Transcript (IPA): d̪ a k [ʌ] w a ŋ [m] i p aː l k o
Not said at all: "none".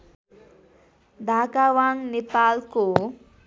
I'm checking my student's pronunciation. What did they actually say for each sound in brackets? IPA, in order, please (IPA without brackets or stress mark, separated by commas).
a, n